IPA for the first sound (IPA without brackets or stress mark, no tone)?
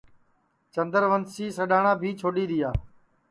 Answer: t͡ʃ